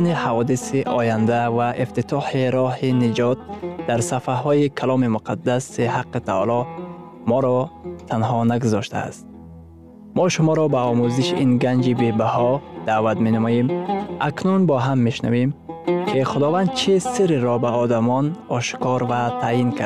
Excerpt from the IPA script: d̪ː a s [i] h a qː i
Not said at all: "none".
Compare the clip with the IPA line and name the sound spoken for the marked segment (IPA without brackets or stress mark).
i